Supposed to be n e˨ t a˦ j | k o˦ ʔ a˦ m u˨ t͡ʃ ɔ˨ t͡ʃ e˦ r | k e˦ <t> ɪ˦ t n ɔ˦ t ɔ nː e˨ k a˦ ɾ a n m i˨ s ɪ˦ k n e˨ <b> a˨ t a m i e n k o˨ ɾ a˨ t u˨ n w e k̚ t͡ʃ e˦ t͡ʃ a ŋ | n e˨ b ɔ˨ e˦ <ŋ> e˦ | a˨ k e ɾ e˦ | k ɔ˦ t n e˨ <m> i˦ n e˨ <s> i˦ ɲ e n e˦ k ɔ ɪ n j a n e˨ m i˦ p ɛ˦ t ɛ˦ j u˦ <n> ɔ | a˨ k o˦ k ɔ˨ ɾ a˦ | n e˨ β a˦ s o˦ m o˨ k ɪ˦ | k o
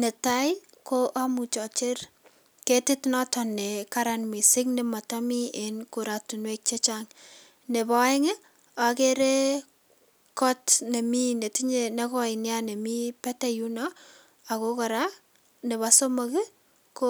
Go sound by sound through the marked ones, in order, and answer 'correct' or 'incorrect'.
correct, incorrect: m, correct, correct, incorrect: t, correct

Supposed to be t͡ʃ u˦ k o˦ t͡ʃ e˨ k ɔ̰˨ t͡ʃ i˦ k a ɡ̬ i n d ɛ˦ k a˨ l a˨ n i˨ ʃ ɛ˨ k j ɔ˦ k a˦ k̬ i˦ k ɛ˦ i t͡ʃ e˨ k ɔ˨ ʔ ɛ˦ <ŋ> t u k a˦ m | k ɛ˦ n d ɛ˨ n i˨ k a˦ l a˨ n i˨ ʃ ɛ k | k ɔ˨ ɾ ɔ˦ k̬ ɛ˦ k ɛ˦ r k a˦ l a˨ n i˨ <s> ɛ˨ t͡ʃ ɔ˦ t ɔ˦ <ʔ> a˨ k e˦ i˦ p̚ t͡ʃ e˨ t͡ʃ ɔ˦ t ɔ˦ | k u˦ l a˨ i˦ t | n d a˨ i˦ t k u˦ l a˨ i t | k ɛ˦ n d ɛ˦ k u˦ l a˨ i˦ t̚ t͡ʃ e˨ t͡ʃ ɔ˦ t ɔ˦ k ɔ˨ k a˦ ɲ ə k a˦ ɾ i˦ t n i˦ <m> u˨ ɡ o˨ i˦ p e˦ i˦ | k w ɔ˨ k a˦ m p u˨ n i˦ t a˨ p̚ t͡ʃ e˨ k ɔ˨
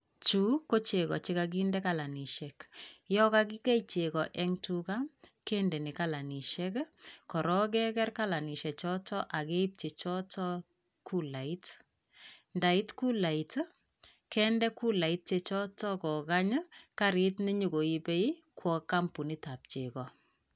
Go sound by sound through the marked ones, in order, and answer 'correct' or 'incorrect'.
correct, incorrect: ʃ, correct, incorrect: ɲ

